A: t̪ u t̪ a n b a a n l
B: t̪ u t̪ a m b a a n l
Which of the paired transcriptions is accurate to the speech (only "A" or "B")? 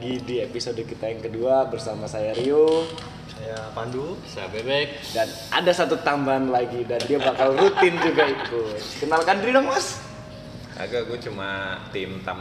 B